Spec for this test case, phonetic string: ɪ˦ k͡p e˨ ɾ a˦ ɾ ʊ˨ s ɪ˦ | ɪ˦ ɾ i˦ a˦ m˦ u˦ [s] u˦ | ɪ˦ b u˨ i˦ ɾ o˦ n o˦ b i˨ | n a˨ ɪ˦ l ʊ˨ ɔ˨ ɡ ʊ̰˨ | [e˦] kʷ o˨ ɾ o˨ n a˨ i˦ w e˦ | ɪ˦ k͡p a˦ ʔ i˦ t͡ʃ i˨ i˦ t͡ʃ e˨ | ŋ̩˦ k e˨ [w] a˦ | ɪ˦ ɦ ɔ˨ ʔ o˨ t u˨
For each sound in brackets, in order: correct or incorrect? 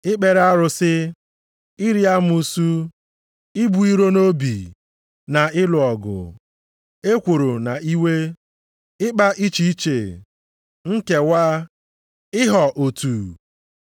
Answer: correct, correct, correct

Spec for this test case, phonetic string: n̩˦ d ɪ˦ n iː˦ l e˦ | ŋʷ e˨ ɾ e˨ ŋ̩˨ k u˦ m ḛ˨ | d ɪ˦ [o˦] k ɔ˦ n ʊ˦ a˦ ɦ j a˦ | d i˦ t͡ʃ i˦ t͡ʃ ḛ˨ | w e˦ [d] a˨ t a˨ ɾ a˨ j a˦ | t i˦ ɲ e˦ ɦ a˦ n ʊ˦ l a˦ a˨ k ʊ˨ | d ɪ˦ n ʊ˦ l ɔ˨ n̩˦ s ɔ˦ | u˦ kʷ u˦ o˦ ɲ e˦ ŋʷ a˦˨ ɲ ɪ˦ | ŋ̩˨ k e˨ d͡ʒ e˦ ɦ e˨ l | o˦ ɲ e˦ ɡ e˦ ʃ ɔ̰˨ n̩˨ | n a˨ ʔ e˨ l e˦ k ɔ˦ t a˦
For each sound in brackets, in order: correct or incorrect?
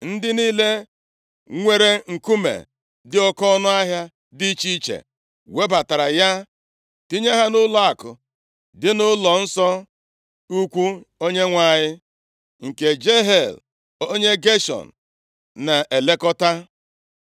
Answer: incorrect: ɔ˦, incorrect: b

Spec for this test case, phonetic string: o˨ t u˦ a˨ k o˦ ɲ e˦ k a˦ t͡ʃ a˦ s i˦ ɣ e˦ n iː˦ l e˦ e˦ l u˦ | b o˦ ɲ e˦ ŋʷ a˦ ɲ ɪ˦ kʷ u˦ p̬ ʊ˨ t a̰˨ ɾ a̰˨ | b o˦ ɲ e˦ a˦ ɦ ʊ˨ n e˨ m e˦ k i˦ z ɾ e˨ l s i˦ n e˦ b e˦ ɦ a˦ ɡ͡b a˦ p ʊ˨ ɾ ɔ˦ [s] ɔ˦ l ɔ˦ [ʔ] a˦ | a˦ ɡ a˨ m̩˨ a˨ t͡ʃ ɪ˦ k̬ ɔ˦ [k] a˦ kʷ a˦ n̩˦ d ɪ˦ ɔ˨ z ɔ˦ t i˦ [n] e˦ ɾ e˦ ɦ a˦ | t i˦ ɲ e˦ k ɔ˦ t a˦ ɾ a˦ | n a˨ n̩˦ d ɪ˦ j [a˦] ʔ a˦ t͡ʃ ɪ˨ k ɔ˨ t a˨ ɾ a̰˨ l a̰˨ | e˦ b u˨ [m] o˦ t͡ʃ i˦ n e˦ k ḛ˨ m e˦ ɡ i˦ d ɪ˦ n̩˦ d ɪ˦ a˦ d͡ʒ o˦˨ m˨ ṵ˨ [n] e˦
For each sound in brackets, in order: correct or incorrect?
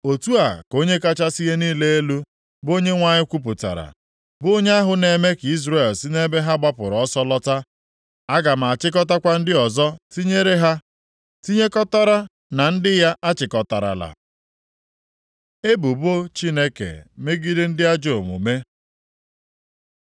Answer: correct, incorrect: t, incorrect: t, incorrect: ɲ, correct, incorrect: b, incorrect: m

